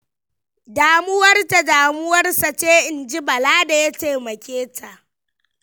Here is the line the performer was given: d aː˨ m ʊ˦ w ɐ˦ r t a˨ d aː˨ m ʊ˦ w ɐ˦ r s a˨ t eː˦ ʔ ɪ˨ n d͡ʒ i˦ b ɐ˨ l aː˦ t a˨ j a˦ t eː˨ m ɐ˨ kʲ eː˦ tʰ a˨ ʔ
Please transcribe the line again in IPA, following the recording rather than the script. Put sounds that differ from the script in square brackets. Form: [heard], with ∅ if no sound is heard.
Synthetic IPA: d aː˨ m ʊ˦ w ɐ˦ r t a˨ d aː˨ m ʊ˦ w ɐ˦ r s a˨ [t͡ʃ] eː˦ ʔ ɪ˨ n d͡ʒ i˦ b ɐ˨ l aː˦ [d] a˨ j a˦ t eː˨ m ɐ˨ kʲ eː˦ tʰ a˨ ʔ

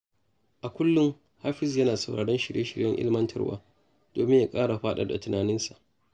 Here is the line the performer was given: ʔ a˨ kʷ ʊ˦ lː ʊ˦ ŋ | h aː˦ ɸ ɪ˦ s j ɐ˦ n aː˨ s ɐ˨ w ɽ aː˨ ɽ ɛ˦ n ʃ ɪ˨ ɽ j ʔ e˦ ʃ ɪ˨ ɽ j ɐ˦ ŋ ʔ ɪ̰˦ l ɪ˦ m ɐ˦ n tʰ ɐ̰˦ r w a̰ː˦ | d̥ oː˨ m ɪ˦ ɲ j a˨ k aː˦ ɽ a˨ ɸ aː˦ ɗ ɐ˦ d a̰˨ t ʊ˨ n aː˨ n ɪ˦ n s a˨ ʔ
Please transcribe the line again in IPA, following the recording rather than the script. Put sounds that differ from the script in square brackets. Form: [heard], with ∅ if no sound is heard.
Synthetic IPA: ʔ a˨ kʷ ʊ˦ lː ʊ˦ ŋ | h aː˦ ɸ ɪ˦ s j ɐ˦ n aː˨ s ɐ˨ w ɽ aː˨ ɽ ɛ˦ n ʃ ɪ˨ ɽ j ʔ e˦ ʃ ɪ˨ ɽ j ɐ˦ ŋ ʔ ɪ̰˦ l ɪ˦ m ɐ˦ n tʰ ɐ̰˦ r w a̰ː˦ | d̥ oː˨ m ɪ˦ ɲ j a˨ [kʼ] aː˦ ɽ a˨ ɸ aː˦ ɗ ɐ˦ d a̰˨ t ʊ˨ n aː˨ n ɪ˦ n s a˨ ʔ

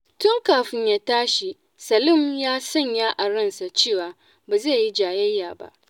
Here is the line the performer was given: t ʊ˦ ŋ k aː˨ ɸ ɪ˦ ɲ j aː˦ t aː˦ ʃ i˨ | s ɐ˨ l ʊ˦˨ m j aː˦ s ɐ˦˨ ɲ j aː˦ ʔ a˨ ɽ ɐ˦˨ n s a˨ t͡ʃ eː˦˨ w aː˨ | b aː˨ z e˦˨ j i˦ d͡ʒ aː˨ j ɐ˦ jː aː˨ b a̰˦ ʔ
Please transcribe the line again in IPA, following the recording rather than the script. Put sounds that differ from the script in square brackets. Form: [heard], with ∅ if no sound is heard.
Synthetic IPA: t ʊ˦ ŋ k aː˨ ɸ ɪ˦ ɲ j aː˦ t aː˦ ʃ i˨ | s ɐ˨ l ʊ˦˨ m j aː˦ s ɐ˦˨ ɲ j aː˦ ʔ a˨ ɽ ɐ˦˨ n s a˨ t͡ʃ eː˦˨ w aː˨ | b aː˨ z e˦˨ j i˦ d͡ʒ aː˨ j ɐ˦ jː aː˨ b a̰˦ ʔ

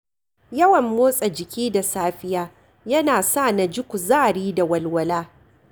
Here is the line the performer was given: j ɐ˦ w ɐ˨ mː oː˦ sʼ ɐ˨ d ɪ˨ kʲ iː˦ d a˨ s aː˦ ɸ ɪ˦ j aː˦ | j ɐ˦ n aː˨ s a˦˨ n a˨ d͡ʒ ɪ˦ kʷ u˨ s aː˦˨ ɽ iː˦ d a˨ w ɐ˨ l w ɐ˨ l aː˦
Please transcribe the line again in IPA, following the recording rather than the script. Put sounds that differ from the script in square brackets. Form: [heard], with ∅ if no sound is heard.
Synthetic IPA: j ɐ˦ w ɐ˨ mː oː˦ sʼ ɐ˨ [d͡ʒ] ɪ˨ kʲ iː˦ d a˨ s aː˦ ɸ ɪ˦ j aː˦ | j ɐ˦ n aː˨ s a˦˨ n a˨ d͡ʒ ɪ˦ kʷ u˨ [z] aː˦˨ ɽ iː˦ d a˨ w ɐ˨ l w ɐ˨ l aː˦

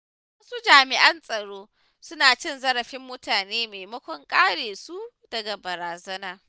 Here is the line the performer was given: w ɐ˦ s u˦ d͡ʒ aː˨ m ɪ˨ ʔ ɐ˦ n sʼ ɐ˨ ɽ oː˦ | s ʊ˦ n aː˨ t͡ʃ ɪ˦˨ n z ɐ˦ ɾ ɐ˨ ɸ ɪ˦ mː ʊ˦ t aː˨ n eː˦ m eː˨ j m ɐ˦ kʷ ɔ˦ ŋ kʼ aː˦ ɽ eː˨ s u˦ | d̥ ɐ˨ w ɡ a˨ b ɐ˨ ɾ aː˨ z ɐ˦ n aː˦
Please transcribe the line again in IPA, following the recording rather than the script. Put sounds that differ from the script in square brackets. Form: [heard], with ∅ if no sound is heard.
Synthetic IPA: w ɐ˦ s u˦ d͡ʒ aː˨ m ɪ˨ ʔ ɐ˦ n sʼ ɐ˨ ɽ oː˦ | s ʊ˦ n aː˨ t͡ʃ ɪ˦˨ n z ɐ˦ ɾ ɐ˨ ɸ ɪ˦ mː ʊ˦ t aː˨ n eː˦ m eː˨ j m ɐ˦ kʷ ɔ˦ ŋ kʼ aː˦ ɽ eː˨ s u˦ | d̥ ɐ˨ [∅] ɡ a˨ b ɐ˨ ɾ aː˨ z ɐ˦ n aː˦

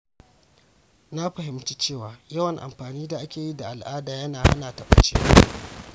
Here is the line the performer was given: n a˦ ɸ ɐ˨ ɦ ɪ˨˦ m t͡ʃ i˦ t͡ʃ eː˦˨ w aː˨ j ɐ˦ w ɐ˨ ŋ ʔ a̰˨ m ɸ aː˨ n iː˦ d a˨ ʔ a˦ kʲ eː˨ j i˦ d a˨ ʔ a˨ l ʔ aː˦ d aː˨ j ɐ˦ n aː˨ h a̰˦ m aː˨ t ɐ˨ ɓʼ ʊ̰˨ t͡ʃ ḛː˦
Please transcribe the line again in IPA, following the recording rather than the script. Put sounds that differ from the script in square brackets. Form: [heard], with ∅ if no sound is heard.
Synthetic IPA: n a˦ ɸ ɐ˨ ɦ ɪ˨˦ m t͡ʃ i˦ t͡ʃ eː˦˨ w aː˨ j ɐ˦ w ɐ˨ ŋ ʔ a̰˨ m ɸ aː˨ n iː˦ d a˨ ʔ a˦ kʲ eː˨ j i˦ d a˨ ʔ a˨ l ʔ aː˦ d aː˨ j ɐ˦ n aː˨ h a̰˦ [n] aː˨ t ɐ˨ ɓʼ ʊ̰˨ t͡ʃ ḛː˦

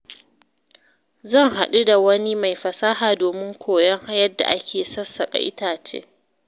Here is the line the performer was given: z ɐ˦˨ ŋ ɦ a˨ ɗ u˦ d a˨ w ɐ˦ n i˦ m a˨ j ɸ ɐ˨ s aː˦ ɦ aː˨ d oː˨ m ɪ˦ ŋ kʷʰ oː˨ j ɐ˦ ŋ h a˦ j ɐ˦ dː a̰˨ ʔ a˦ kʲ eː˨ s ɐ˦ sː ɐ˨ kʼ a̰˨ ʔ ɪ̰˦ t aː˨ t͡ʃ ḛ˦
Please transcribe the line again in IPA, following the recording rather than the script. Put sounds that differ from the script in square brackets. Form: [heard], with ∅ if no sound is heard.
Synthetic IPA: z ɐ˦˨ ŋ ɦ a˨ ɗ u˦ d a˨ w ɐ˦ n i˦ m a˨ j ɸ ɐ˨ s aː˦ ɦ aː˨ d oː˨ m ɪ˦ ŋ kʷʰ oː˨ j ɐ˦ ŋ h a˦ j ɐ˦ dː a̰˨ ʔ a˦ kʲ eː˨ s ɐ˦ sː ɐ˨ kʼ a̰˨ ʔ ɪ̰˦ t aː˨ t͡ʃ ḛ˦

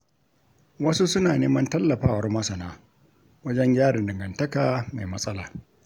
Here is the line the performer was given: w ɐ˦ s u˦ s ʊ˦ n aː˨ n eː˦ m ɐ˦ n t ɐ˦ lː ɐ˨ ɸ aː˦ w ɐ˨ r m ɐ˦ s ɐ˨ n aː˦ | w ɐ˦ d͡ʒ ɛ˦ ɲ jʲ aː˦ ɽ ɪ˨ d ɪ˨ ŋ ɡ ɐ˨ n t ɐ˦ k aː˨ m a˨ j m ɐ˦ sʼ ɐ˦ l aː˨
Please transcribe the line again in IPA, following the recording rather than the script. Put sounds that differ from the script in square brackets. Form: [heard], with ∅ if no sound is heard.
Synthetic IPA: w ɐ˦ s u˦ s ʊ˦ n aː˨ n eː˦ m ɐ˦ n t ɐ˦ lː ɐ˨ ɸ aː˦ w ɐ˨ r m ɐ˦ s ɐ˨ n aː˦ | w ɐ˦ d͡ʒ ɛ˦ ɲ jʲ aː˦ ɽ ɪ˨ d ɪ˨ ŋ ɡ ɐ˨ n t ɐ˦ k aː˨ m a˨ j m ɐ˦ sʼ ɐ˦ l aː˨

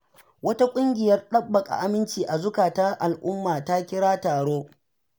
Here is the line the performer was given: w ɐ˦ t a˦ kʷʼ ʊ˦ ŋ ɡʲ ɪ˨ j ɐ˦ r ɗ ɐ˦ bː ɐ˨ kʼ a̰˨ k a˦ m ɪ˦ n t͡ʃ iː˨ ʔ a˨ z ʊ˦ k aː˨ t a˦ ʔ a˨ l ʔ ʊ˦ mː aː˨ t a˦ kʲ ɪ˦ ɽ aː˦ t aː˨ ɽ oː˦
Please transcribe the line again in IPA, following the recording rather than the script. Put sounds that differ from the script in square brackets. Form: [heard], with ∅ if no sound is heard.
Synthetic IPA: w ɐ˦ t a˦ kʷʼ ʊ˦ ŋ ɡʲ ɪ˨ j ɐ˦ r ɗ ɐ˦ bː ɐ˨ kʼ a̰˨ [ʔ] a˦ m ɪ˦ n t͡ʃ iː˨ ʔ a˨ z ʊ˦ k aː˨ t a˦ ʔ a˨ l ʔ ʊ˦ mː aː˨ t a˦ kʲ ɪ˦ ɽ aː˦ t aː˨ ɽ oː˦

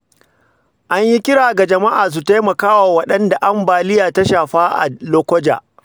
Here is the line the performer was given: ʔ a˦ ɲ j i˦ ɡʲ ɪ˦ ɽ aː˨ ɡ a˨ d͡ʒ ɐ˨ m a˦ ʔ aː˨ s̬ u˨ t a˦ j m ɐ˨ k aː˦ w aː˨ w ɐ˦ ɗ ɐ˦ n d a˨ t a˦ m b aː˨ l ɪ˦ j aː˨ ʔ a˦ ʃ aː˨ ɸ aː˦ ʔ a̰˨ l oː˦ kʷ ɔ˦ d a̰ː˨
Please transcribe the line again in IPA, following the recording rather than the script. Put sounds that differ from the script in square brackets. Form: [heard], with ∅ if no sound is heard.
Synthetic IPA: ʔ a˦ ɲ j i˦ [kʲ] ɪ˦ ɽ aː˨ ɡ a˨ d͡ʒ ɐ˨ m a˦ ʔ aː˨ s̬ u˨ t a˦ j m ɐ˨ k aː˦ w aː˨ w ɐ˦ ɗ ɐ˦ n d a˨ [ʔ] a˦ m b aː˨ l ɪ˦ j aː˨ [t] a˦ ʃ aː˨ ɸ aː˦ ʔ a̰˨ l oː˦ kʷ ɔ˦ [d͡ʒ] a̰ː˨

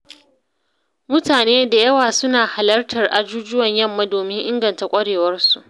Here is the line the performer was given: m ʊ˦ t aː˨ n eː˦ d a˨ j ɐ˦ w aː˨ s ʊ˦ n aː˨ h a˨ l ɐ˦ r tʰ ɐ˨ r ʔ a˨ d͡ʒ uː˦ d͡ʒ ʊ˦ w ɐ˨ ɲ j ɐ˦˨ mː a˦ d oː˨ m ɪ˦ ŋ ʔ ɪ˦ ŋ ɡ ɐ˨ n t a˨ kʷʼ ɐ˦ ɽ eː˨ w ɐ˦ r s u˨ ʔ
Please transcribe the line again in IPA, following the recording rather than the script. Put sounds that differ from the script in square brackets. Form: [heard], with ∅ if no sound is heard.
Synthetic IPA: m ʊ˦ t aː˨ n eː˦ d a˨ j ɐ˦ w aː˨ s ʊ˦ n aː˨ h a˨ l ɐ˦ r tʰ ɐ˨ r ʔ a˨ d͡ʒ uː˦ d͡ʒ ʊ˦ w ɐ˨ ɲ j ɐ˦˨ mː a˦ d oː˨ m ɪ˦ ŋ ʔ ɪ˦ ŋ ɡ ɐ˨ n t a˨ kʷʼ ɐ˦ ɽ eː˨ w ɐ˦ r s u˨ ʔ

